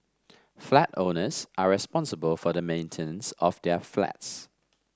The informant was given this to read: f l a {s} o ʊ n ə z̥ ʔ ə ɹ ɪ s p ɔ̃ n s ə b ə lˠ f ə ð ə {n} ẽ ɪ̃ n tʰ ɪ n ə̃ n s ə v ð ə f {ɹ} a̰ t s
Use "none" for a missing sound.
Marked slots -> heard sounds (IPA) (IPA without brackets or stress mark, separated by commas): t, m, l